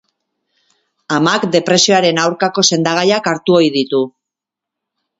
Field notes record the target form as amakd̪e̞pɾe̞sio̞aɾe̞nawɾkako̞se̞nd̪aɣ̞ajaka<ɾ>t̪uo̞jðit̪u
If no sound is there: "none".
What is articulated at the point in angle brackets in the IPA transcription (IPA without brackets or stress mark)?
ɾ